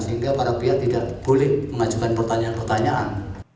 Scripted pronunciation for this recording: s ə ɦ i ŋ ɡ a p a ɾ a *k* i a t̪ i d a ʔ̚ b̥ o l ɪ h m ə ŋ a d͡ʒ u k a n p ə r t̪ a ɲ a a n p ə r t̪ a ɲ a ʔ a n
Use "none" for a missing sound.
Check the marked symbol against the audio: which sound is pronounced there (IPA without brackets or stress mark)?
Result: p